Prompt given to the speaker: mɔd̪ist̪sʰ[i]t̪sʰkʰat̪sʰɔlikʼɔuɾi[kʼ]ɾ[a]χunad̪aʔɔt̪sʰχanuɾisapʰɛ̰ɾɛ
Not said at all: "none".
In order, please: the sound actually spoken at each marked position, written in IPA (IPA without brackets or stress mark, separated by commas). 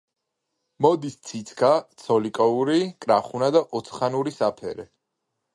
i, kʼ, a